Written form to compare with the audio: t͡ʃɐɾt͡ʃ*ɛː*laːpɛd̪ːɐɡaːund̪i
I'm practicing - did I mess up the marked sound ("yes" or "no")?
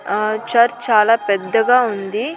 yes